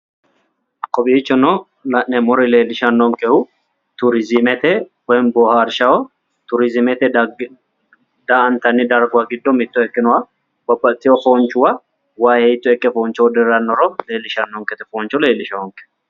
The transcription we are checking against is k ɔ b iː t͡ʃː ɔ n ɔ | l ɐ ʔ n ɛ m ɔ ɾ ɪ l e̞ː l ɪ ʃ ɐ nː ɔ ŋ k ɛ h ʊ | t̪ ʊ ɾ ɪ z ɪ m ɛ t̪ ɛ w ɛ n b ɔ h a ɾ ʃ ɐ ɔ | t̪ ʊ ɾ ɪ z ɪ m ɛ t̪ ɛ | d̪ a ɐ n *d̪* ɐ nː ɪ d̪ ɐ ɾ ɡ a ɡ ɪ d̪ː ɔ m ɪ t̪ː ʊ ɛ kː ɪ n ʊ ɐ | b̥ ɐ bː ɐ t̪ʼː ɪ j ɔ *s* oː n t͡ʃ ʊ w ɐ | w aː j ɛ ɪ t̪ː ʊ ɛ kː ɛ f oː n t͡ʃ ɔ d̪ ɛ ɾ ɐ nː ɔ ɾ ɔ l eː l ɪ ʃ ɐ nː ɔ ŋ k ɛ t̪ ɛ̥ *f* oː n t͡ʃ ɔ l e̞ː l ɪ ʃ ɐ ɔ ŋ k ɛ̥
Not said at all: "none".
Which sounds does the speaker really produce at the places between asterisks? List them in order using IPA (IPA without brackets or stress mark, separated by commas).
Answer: t̪, f, f